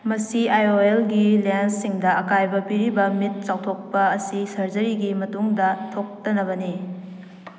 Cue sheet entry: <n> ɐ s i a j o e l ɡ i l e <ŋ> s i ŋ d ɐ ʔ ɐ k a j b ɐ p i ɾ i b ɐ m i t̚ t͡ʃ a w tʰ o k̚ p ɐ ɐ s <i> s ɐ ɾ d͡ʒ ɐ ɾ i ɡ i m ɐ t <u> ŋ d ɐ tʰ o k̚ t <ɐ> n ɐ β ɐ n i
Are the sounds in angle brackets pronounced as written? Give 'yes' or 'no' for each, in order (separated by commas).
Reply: no, no, yes, yes, yes